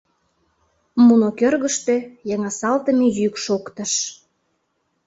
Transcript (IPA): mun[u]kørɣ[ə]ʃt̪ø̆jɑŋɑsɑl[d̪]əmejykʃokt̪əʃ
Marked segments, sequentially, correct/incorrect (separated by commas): incorrect, correct, incorrect